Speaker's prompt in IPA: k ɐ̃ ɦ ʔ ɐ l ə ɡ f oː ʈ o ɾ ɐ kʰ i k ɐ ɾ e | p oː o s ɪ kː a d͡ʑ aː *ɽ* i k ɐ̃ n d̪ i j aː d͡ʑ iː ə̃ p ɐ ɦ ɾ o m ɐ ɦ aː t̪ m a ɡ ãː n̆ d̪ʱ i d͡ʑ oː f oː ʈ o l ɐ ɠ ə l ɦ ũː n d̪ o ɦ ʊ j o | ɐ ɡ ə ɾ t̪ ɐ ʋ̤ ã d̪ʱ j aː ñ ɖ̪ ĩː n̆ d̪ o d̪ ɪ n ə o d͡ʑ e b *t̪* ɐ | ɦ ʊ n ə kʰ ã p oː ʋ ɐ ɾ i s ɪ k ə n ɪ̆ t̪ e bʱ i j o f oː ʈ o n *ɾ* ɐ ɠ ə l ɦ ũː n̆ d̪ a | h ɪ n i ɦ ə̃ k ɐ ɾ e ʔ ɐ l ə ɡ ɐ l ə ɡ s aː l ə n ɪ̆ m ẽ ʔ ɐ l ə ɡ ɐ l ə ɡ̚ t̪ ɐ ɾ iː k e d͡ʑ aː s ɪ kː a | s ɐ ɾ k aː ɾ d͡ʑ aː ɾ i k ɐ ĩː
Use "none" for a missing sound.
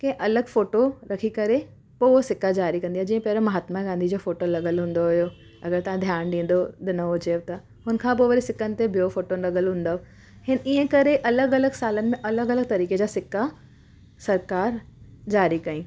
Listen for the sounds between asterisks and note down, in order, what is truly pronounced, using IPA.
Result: ɾ, t̪, ɾ

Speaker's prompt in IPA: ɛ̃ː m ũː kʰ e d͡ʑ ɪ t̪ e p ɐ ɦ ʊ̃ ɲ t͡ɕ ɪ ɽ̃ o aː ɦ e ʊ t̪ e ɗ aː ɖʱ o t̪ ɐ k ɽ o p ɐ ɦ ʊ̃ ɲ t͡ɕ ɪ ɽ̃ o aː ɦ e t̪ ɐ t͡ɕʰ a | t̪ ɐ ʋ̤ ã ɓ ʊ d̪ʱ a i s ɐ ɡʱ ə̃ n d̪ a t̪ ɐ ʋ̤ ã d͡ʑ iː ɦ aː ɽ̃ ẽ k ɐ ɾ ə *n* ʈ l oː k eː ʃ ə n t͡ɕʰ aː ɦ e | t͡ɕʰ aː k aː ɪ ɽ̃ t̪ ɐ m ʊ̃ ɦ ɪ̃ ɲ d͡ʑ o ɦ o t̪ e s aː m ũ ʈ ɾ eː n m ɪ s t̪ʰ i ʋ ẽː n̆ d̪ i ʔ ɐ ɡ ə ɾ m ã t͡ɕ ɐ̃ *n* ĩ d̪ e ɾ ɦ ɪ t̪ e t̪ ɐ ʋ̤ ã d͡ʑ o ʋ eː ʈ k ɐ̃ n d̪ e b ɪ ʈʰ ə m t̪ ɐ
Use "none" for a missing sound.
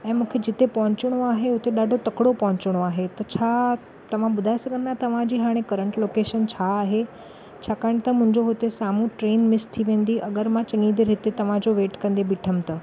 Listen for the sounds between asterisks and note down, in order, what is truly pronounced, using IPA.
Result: ɳ, ŋ

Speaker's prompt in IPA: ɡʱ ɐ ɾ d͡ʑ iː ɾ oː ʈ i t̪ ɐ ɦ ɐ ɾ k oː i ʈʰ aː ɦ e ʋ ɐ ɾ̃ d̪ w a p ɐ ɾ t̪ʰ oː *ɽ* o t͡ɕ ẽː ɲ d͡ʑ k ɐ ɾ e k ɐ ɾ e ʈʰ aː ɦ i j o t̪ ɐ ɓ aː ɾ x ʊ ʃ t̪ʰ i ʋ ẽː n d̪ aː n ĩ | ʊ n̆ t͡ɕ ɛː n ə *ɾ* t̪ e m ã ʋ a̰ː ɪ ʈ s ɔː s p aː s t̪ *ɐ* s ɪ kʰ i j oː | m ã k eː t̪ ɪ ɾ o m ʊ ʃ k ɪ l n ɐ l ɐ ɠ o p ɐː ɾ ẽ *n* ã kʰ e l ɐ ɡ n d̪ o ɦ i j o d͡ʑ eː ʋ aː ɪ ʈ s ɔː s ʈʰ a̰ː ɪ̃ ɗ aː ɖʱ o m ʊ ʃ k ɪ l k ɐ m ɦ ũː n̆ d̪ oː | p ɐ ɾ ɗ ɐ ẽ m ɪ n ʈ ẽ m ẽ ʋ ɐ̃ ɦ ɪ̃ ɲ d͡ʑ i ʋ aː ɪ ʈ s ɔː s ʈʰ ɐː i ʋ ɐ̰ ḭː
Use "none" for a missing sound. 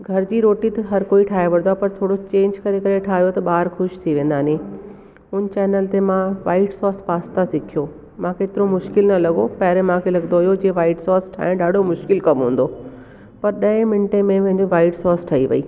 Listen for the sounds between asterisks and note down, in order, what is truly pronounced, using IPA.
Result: ɽ, l, a, m

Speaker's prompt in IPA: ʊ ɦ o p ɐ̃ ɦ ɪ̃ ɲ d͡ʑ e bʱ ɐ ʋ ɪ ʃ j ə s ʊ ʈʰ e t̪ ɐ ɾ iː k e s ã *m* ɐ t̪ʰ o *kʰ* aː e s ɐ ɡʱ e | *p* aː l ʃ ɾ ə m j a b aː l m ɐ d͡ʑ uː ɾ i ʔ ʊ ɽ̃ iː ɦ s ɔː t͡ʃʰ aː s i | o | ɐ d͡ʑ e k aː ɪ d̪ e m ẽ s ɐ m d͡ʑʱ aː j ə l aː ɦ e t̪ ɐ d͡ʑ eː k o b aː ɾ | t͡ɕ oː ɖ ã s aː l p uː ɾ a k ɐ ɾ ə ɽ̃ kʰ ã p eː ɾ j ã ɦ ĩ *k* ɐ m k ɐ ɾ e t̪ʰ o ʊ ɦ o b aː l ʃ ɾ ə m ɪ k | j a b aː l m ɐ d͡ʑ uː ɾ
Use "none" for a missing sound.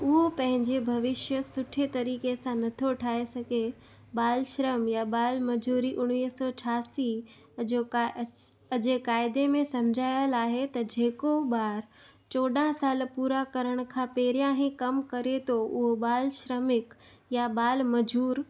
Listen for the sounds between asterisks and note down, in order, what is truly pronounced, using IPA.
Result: n, ʈʰ, b, k

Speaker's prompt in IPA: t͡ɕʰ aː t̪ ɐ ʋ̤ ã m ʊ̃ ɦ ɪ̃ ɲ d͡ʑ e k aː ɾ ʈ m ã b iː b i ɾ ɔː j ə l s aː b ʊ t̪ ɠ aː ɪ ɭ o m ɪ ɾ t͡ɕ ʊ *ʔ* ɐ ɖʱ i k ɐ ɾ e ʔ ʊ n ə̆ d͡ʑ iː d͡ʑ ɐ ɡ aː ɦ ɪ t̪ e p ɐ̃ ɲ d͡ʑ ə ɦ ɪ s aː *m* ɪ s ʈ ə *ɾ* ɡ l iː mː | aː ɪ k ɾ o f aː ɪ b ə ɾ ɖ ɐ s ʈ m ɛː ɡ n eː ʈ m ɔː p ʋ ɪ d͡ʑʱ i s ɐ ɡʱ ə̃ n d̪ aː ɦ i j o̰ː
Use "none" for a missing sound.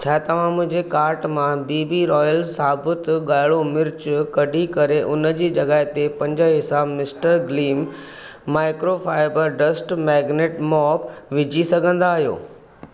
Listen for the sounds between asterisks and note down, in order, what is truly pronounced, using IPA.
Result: k, m, ɾ

